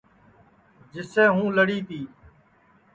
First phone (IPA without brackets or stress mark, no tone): d͡ʒ